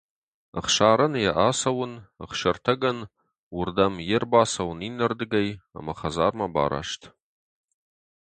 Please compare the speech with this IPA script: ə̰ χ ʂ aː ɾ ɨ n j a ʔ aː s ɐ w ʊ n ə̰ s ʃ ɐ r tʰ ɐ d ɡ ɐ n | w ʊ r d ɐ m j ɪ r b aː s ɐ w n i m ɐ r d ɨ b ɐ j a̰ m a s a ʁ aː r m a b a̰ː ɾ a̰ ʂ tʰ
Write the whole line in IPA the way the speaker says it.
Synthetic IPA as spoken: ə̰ χ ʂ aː ɾ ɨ n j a ʔ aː s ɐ w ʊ n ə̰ χ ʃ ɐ r tʰ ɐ ɡ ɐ n | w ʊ r d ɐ m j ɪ r b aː s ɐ w n i n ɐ r d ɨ ɡ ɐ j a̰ m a χ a z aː r m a b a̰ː ɾ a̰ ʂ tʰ